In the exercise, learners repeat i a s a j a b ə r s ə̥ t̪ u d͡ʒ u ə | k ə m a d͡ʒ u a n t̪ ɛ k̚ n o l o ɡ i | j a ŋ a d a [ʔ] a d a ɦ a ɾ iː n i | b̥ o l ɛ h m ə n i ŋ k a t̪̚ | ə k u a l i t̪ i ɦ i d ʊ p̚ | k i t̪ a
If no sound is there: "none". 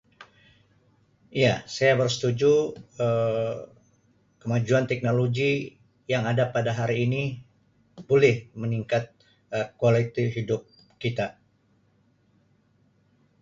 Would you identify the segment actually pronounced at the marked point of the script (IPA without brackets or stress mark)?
p